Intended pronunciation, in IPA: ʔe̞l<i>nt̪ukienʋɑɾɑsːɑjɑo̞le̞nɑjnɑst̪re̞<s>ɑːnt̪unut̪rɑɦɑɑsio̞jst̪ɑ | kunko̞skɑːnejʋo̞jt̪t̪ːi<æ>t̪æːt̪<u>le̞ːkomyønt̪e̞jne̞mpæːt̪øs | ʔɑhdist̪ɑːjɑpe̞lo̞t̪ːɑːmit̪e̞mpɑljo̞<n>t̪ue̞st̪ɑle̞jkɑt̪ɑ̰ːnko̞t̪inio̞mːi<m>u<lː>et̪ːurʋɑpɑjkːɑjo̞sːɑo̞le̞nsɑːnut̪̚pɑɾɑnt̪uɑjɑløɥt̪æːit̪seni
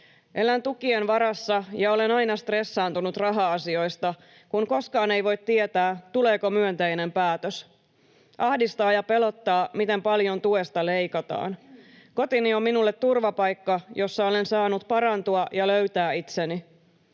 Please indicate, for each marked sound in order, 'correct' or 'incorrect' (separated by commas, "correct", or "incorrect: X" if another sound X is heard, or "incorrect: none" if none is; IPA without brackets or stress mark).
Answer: incorrect: æ, incorrect: sː, incorrect: e, correct, correct, incorrect: n, correct